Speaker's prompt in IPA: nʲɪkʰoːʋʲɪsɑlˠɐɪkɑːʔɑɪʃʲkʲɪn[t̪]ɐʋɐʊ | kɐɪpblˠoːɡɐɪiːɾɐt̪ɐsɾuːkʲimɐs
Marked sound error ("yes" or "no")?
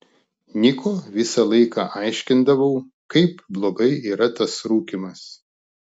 yes